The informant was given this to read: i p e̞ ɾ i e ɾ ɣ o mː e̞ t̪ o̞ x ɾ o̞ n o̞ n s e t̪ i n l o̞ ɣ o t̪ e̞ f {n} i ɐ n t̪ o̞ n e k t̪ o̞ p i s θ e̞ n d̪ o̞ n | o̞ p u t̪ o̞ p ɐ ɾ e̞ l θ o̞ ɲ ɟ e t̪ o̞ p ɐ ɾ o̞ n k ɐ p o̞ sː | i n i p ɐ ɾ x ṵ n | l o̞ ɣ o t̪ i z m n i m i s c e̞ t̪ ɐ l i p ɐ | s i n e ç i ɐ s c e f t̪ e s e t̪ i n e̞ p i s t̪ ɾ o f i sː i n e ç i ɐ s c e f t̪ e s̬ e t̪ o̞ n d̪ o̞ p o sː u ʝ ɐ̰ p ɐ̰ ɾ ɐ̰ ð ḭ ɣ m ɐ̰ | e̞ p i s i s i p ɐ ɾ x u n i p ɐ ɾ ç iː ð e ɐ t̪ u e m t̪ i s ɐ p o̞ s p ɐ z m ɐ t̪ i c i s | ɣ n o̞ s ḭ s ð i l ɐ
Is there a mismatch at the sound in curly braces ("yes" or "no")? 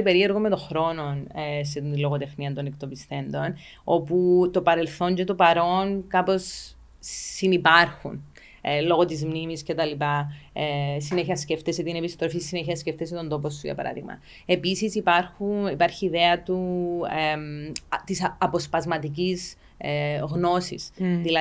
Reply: no